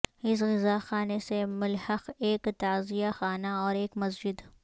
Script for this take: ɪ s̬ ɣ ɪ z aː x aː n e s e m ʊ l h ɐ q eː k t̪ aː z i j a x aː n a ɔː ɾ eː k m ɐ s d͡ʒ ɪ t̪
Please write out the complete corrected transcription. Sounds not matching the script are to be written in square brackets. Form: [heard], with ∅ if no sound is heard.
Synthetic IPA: ɪ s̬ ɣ ɪ z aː x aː n e s e m ʊ l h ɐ q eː k t̪ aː z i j a x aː n a ɔː ɾ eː k m ɐ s d͡ʒ ɪ [d̪]